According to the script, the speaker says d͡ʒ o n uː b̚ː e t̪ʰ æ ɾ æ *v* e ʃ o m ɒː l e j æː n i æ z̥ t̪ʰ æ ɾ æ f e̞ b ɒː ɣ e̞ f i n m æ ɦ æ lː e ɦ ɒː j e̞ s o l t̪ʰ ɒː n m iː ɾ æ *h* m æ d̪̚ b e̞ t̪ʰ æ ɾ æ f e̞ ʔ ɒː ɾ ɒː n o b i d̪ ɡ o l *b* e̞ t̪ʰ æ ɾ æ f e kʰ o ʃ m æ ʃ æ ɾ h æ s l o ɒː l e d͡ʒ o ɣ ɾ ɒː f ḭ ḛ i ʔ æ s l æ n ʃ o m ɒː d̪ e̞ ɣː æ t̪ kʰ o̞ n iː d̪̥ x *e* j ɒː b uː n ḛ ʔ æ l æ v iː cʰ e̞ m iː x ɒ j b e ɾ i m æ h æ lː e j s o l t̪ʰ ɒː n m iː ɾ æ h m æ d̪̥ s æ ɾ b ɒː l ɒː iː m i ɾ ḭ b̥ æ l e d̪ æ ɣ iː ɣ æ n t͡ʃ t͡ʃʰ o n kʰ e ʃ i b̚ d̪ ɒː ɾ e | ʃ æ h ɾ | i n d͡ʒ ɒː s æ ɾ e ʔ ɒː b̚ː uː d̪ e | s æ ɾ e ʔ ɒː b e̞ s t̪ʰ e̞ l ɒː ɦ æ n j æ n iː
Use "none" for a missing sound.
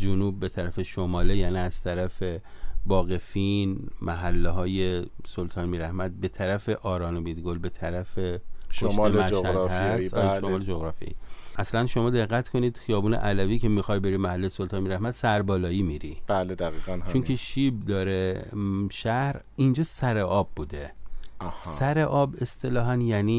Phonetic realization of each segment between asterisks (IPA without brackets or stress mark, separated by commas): f, h, b, i